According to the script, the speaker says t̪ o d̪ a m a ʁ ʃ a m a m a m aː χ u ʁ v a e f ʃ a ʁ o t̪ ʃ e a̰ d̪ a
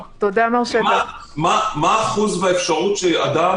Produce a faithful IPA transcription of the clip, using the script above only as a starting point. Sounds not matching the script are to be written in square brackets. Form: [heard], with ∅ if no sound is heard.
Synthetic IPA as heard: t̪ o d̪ a m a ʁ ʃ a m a m a m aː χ u [z] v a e f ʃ a ʁ [u] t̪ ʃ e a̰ d̪ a

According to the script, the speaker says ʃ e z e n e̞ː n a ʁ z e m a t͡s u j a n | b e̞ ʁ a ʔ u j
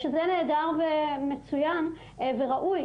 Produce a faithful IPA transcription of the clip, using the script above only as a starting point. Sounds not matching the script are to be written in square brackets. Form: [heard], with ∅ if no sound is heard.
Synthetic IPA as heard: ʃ e z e n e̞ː [d] a ʁ [v] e m [e] t͡s u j a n | [v] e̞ ʁ a ʔ u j

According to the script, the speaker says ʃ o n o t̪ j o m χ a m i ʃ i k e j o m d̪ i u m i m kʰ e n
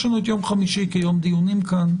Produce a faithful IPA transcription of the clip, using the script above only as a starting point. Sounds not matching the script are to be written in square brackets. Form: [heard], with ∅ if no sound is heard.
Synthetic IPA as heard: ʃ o n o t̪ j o m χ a m i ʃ i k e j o m d̪ i u [n] i m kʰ [a] n

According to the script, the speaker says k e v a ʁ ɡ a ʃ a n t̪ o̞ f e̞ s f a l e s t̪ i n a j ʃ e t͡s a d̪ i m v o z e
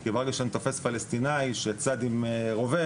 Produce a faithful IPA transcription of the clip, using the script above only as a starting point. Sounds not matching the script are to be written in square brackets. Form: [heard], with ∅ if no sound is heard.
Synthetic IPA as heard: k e v a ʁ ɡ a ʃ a n t̪ o̞ f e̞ s f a l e s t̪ i n a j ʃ e t͡s a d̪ i m [ʁ] o [v] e

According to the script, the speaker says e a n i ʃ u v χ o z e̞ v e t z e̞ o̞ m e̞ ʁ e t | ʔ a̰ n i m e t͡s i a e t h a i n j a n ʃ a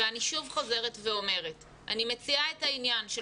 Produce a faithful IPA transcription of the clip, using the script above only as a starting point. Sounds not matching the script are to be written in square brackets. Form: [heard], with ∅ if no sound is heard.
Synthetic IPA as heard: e a n i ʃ u v χ o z e̞ [ʁ] e t [v] e̞ o̞ m e̞ ʁ e t | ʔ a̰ n i m e t͡s i a e t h a i n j a n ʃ [e]

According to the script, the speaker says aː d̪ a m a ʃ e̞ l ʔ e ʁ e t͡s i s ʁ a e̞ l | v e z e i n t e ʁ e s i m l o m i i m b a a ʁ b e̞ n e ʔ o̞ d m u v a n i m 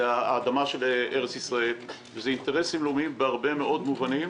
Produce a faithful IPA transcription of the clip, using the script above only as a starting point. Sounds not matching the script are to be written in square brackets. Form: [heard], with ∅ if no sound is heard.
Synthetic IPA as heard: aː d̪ a m a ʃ e̞ l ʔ e ʁ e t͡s i s ʁ a e̞ l | v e z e i n t e ʁ e s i m l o m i i m b [e] a ʁ b e̞ [m] e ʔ o̞ d m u v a n i m

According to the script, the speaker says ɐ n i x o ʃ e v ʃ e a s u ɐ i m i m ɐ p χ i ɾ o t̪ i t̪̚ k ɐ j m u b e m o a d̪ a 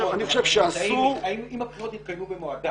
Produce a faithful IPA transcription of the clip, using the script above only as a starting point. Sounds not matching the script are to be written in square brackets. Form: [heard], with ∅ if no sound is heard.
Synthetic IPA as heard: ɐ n i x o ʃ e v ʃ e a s u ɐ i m i m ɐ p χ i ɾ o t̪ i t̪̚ k ɐ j m u b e m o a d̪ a

